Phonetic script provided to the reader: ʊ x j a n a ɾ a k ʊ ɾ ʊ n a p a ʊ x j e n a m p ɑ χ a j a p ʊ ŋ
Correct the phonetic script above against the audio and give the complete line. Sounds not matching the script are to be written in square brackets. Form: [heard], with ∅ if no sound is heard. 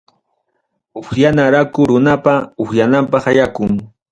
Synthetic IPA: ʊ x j a n a ɾ a k ʊ ɾ ʊ n a p a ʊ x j [a] n a m p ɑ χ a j a [k] ʊ ŋ